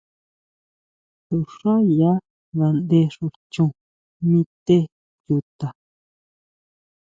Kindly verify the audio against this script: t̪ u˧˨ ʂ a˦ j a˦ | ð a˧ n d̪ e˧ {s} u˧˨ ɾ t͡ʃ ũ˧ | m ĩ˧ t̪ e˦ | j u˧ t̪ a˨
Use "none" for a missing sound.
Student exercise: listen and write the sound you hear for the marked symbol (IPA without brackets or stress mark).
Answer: ʂ